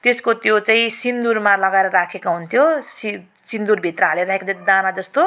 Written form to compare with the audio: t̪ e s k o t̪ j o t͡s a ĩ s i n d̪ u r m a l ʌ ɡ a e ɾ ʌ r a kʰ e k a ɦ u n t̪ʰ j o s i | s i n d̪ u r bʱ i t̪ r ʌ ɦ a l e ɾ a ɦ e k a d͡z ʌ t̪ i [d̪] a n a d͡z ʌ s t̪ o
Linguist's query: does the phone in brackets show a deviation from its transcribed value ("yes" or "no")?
no